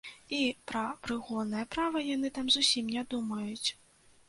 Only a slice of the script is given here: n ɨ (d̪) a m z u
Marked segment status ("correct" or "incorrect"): incorrect